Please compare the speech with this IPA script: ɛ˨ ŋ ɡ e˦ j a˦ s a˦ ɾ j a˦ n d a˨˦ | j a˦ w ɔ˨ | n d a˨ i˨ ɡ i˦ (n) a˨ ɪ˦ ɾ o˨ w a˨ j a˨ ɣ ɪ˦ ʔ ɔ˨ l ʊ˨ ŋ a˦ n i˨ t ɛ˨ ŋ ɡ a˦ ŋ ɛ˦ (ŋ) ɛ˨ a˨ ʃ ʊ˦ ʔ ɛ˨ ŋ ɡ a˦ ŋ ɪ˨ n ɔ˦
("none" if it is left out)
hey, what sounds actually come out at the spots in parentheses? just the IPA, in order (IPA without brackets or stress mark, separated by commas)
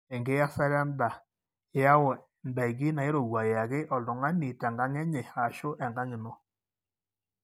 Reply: n, ɲ